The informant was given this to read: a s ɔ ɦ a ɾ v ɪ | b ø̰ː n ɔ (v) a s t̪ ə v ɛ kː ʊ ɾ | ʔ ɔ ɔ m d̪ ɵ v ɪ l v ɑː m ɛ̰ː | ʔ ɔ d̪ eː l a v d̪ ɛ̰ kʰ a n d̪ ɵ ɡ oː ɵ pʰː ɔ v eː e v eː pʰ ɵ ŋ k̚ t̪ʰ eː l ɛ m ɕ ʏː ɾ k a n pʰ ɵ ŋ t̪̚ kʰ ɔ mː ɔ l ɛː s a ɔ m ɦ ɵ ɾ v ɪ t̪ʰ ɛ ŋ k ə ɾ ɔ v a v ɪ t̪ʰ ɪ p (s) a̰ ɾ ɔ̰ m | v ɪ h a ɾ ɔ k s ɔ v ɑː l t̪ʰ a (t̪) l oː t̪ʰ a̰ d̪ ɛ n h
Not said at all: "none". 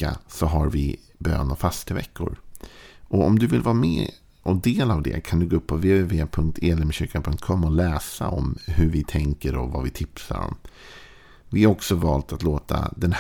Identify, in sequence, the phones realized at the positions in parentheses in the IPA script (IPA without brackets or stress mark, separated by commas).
f, s, t̪